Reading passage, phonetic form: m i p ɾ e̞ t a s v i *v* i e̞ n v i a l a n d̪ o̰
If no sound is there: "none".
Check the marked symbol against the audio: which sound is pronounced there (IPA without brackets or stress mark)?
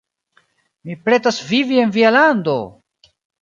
v